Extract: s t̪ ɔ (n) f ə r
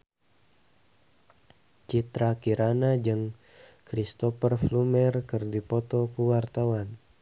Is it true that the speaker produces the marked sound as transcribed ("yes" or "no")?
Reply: no